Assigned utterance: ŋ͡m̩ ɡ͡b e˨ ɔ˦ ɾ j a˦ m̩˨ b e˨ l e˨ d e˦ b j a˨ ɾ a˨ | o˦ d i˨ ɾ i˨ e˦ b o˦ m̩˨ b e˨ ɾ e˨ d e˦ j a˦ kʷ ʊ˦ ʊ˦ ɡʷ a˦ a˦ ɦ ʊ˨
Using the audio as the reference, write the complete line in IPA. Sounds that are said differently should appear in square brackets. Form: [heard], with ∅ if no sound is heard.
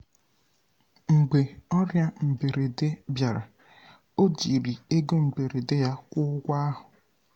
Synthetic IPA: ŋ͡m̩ ɡ͡b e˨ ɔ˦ ɾ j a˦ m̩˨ b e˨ [ɾ] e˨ d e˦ b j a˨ ɾ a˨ | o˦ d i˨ ɾ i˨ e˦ [ɡ] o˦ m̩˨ b e˨ ɾ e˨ d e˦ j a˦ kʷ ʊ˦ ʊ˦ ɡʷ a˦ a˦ ɦ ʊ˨

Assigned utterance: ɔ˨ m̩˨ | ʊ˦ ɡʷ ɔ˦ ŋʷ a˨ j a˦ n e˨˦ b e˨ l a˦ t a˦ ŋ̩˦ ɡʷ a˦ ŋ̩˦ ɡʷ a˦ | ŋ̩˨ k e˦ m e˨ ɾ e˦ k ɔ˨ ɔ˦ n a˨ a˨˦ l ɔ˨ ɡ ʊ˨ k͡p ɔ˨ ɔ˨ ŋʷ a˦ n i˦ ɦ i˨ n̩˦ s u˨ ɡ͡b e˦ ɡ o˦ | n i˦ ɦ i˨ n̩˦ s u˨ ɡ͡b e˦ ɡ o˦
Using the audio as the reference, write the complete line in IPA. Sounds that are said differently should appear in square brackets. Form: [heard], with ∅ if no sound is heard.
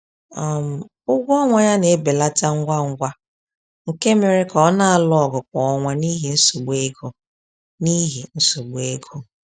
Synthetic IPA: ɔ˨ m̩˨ | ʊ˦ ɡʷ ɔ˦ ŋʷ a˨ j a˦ n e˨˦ b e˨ l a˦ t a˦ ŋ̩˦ ɡʷ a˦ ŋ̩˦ ɡʷ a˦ | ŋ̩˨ k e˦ m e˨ ɾ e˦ k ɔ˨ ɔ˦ n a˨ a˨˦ l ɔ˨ ɡ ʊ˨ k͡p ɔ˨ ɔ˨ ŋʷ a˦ n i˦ ɦ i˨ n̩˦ s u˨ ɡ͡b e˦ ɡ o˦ | n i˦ ɦ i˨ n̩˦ s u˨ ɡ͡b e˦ ɡ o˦

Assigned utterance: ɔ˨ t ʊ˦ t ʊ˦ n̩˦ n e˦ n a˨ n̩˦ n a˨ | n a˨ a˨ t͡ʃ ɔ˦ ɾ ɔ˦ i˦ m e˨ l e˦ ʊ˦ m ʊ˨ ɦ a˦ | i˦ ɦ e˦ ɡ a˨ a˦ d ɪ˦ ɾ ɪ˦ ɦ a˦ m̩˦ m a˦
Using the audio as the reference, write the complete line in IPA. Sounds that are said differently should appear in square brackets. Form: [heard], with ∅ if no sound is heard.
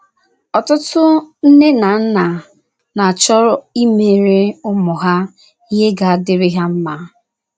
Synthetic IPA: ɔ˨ t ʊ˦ t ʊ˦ n̩˦ n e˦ n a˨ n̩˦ n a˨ | n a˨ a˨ t͡ʃ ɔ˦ ɾ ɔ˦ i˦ m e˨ [ɾ] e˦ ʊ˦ m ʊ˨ ɦ a˦ | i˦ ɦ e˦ ɡ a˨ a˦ d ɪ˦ ɾ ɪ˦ ɦ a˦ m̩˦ m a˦

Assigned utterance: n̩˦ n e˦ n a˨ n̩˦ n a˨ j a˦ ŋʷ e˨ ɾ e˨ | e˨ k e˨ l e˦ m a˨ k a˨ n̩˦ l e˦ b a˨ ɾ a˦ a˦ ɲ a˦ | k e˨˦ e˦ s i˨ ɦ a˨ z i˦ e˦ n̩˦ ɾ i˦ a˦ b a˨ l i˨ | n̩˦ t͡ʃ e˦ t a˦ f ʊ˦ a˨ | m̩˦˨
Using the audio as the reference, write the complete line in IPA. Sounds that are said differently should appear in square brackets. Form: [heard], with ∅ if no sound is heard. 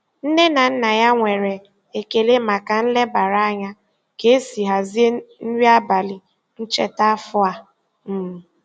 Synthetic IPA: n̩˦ n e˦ n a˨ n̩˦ n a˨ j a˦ ŋʷ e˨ ɾ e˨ | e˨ k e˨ l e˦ m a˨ k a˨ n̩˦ l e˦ b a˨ ɾ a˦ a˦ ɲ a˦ | k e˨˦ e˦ s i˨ ɦ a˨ z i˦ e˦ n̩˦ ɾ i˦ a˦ b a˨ l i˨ | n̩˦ t͡ʃ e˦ t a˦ f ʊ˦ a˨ | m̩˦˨

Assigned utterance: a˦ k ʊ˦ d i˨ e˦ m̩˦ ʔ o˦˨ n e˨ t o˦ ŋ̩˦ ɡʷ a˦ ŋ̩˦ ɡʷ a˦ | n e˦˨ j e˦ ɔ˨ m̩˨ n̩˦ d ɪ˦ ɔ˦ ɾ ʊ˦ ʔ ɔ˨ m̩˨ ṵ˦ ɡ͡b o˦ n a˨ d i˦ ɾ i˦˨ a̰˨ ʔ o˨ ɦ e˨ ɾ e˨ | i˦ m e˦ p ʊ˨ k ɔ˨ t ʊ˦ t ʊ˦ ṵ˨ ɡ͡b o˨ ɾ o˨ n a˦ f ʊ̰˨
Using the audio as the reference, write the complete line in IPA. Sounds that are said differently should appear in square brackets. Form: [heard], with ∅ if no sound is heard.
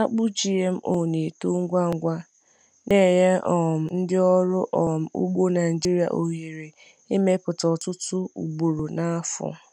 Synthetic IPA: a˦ [k͡p] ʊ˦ [d͡ʒ] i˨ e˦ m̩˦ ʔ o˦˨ n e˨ t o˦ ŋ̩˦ ɡʷ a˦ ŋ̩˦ ɡʷ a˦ | n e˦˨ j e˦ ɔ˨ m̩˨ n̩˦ d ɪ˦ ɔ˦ ɾ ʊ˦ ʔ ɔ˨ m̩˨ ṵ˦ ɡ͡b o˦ n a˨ [d͡ʒ] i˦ ɾ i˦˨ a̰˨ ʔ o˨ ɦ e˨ ɾ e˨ | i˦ m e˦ p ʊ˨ [t] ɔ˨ t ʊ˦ t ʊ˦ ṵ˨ ɡ͡b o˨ ɾ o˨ n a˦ f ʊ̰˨

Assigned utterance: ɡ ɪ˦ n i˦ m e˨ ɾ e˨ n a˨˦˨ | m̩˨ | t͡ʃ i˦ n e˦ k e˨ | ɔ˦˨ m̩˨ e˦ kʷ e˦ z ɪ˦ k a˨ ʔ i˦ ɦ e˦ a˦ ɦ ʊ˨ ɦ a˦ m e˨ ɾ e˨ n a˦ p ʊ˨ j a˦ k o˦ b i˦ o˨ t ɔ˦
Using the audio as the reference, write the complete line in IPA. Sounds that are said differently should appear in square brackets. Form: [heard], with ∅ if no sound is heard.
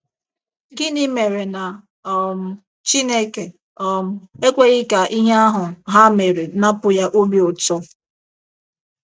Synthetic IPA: ɡ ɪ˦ n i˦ m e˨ ɾ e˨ n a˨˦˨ | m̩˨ | t͡ʃ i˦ n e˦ k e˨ | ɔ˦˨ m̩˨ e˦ kʷ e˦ [ɣ] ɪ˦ k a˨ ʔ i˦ ɦ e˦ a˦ ɦ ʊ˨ ɦ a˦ m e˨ ɾ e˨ n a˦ p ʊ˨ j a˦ [ʔ] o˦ b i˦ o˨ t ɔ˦

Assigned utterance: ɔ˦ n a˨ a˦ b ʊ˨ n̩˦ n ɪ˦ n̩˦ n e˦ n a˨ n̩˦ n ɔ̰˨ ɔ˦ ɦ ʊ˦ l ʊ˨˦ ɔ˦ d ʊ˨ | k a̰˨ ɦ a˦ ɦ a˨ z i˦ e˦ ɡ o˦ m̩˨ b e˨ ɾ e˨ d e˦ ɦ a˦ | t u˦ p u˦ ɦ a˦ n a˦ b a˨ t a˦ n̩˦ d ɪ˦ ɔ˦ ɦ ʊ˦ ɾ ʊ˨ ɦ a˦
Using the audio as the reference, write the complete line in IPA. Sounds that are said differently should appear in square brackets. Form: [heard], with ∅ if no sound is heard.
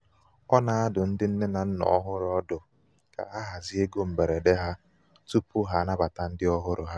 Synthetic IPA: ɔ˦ n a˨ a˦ [d] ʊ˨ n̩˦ [d] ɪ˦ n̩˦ n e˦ n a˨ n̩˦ n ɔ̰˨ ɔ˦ ɦ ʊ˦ [ɾ] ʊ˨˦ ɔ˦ d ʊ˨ | k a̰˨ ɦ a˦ ɦ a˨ z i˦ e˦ ɡ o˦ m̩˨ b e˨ ɾ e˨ d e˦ ɦ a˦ | t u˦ p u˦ ɦ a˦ n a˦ b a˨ t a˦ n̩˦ d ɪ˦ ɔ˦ ɦ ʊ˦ ɾ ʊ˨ ɦ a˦

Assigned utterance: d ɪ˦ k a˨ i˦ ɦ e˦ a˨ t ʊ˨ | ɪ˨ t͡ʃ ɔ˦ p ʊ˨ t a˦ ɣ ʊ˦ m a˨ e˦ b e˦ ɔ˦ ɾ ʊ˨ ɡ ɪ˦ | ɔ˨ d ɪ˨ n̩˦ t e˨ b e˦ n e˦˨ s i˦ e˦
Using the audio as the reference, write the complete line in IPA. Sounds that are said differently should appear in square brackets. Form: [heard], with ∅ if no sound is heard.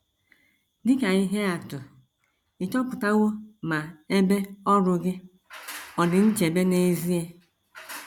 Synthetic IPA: d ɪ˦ k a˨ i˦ ɦ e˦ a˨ t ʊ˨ | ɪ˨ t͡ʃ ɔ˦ p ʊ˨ t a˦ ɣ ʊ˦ m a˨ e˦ b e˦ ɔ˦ ɾ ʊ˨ ɡ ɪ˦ | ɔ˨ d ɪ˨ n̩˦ [t͡ʃ] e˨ b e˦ n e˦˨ [z] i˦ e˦

